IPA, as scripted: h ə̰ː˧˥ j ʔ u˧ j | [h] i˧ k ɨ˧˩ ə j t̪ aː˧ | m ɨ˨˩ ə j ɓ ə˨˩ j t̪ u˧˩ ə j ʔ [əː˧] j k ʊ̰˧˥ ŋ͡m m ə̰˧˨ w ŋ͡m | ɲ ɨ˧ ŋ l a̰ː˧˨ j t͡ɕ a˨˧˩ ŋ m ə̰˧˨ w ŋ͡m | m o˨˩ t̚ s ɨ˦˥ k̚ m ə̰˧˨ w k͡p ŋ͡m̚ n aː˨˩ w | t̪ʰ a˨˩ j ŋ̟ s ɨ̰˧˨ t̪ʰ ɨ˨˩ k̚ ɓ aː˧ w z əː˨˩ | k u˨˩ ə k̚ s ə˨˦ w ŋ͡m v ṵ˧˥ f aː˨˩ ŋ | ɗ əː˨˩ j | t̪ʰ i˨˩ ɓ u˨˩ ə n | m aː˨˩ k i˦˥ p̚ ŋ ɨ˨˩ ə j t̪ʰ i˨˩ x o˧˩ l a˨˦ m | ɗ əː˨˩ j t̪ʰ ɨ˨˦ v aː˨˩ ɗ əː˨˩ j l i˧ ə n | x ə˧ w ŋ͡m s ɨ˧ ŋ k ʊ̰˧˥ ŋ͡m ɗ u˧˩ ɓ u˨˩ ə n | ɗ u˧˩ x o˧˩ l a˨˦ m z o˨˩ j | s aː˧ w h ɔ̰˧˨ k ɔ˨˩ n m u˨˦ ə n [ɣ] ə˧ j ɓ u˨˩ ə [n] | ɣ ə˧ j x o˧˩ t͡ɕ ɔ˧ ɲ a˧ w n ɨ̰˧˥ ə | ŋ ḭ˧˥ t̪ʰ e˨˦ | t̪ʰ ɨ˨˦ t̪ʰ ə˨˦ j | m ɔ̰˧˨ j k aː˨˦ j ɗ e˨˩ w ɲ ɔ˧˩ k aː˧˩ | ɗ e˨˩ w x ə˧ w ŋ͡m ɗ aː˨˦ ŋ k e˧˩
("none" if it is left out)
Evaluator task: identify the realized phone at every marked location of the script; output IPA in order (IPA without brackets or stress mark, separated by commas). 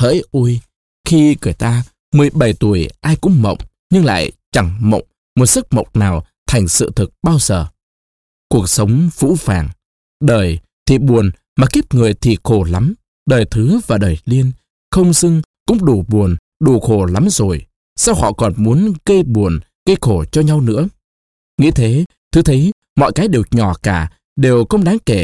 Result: x, aː˧, ɣ, n